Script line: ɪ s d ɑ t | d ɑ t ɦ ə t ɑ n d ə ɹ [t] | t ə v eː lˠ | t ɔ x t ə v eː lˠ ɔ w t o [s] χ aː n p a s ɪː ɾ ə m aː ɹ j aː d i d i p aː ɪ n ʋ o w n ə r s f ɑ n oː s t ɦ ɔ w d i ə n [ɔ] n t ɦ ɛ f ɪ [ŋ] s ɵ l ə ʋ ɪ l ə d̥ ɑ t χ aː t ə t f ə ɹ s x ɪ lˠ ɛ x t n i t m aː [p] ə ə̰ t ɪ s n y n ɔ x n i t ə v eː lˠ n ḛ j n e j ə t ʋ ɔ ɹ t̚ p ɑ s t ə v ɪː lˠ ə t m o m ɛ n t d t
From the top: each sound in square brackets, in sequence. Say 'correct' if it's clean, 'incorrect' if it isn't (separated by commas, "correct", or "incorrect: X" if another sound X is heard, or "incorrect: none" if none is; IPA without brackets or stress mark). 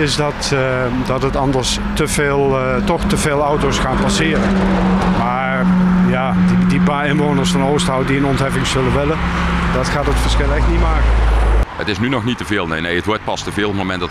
incorrect: s, correct, correct, correct, incorrect: k